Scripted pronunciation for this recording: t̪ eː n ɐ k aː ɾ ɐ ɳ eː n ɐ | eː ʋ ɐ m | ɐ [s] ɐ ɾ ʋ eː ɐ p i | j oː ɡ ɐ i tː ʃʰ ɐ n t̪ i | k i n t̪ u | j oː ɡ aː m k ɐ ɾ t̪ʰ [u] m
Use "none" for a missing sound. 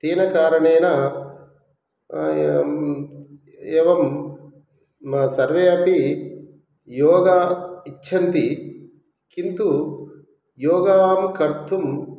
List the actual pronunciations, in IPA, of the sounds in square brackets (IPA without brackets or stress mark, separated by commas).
s, u